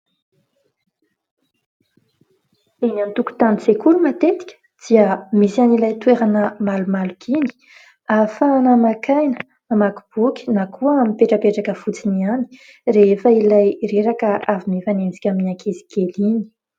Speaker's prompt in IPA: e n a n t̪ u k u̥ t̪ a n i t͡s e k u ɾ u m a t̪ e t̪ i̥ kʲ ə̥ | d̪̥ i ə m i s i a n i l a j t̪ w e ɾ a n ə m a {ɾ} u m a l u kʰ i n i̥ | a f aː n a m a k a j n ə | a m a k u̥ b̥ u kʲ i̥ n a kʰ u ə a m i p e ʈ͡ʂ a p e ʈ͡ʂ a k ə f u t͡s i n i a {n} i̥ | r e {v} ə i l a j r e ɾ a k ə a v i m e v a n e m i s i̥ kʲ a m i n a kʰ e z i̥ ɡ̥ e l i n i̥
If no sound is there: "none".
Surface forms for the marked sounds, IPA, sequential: l, n, f

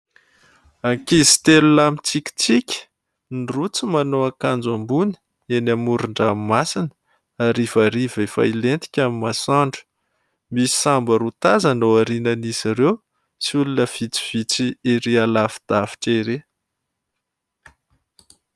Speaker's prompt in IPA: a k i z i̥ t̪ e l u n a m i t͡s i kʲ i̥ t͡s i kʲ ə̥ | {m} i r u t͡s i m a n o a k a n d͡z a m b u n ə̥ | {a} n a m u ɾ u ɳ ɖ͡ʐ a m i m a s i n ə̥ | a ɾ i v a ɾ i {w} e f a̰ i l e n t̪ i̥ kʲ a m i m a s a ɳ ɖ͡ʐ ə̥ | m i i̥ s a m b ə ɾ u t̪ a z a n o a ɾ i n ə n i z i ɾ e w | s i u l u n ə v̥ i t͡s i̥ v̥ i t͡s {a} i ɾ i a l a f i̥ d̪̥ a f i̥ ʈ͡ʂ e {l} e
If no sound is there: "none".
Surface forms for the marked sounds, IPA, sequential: n, e, v, i, ɾ

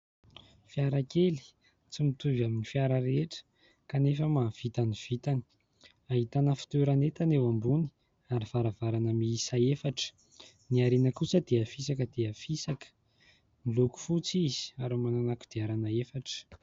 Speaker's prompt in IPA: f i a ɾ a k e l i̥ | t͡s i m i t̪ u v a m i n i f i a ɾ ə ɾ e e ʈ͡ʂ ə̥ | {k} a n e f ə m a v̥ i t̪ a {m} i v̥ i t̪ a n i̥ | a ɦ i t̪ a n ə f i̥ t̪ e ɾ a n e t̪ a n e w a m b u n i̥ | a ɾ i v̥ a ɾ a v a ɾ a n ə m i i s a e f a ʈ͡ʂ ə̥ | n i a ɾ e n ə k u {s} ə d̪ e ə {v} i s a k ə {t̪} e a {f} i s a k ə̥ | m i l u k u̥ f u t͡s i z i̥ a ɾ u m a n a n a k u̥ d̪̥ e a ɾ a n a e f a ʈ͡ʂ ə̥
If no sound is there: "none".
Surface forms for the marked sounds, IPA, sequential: k, n, s, f, d̪, f

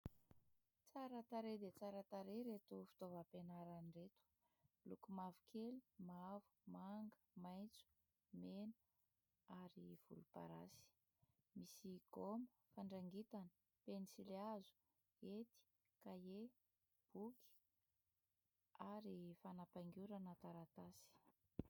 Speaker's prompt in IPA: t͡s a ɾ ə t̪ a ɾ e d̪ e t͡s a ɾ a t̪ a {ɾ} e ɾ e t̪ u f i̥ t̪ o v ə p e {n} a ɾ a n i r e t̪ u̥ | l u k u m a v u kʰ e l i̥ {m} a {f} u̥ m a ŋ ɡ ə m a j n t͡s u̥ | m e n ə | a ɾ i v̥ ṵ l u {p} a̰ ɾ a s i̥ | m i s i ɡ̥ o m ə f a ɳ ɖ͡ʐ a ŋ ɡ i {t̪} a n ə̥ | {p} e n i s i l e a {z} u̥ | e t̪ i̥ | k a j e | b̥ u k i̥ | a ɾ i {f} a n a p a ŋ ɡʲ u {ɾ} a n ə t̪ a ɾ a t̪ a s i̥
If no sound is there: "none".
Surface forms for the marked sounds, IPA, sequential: ɾ, n, m, v, p, t̪, p, z, f, ɾ

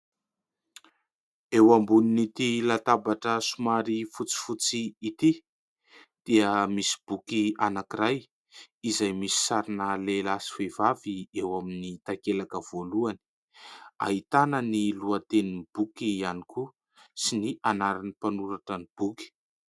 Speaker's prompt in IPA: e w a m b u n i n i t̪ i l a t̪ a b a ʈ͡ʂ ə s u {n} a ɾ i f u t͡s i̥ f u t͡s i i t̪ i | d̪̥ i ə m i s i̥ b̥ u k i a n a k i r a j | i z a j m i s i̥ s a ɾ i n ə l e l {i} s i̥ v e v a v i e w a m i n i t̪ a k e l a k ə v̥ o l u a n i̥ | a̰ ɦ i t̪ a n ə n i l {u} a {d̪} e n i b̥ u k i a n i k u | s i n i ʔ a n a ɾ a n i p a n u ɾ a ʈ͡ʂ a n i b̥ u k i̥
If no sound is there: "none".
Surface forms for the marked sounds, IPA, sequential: m, a, u, t̪

